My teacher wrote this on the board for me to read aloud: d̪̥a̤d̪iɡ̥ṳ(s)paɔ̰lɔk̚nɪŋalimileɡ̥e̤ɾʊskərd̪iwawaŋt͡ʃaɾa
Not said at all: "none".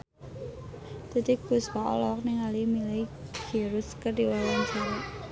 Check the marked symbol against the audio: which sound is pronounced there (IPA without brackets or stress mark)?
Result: s